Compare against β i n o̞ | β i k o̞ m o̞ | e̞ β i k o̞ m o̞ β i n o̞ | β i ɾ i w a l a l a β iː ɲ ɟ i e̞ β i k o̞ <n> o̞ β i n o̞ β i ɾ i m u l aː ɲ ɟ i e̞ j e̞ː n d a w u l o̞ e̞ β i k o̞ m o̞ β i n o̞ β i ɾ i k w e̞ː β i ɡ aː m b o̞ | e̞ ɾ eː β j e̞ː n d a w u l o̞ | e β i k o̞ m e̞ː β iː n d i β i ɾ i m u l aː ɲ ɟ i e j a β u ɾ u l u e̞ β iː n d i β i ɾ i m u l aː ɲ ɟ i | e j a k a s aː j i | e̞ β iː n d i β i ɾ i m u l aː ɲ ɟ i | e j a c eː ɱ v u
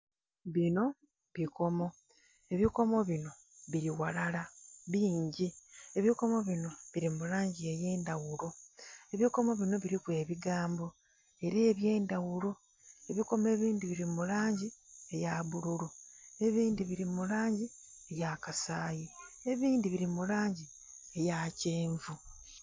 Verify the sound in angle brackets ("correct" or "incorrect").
incorrect